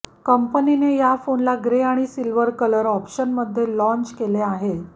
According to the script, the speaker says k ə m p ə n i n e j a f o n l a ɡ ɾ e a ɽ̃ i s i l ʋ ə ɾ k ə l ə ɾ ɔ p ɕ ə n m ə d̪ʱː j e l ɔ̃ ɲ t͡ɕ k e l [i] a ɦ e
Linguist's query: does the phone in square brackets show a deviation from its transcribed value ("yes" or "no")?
yes